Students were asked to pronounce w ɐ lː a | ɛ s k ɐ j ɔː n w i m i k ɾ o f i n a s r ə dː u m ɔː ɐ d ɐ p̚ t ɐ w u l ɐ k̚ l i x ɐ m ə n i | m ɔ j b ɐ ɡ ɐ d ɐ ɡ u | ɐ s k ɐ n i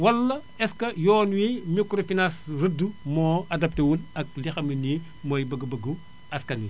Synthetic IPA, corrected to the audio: w ɐ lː ɐ | ɛ s k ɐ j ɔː n w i m i k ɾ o f i n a s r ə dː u m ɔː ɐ d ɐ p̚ t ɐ w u l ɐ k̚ l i x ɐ m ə n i | m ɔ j b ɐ ɡ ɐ b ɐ ɡ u | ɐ s k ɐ n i